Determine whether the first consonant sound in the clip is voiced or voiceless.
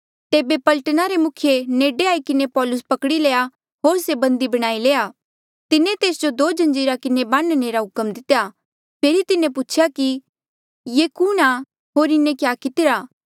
voiceless